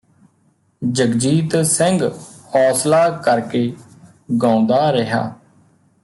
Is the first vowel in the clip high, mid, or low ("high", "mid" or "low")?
mid